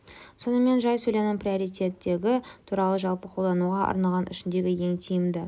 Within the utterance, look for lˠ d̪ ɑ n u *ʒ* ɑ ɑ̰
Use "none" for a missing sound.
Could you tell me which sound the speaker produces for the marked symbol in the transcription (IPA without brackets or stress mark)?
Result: ʁ